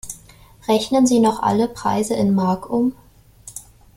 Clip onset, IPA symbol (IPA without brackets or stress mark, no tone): ʁ